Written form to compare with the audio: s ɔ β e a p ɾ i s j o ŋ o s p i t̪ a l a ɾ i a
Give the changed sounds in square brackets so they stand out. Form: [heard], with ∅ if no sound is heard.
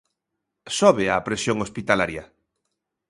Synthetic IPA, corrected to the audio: s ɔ β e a p ɾ [e] s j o ŋ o s p i t̪ a l a ɾ [j] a